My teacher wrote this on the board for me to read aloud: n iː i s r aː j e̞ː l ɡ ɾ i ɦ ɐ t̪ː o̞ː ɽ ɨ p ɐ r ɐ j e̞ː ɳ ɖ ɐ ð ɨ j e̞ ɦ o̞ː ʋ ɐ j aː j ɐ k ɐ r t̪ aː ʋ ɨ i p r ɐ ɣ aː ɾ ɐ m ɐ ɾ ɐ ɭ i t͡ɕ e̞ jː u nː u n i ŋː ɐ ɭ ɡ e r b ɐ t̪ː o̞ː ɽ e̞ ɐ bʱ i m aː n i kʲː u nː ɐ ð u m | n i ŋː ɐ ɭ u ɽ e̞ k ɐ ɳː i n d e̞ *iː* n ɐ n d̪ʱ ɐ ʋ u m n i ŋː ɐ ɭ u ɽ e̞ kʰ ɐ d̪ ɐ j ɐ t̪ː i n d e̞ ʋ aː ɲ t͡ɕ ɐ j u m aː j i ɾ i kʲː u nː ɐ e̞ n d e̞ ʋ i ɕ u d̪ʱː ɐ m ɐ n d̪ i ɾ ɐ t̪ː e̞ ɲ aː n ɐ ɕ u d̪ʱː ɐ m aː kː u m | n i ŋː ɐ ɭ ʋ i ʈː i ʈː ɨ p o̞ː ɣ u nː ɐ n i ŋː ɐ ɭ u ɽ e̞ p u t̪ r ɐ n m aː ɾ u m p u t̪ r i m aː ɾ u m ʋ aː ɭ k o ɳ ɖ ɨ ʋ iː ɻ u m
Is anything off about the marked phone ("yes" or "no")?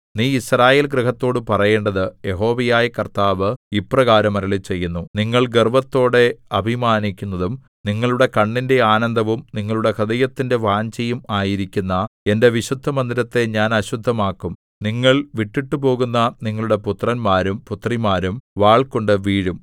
yes